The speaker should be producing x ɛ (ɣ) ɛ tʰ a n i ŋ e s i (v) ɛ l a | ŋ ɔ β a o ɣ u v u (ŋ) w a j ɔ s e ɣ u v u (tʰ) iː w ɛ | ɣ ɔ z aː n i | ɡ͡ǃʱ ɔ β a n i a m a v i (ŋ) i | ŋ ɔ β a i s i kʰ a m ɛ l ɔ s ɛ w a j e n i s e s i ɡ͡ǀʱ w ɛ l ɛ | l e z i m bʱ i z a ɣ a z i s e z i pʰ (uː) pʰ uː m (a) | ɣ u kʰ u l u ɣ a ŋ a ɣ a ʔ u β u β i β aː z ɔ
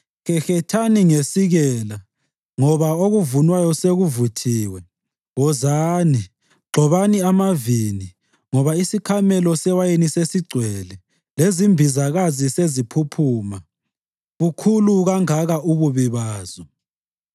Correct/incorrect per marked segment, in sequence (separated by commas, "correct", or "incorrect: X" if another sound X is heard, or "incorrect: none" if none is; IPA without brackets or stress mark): incorrect: x, incorrect: ɣ, incorrect: n, correct, incorrect: n, incorrect: u, correct